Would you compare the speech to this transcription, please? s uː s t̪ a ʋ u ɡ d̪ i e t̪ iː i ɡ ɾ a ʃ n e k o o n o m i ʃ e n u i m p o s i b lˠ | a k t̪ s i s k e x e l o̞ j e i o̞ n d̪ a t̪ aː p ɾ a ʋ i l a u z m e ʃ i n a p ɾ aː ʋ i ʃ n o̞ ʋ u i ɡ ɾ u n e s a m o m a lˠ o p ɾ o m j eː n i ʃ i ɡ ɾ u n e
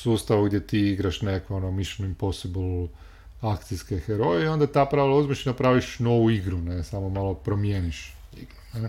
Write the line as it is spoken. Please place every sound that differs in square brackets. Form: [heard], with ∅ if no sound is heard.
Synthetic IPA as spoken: s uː s t̪ a ʋ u ɡ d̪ [j] e t̪ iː i ɡ ɾ a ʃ n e k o o n o m i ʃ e n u i m p o s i b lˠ | a k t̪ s i s k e x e [ɾ] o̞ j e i o̞ n d̪ a t̪ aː p ɾ a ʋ i l a u z m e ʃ i n a p ɾ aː ʋ i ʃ n o̞ ʋ u i ɡ ɾ u n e s a m o m a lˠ o p ɾ o m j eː n i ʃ i ɡ ɾ u n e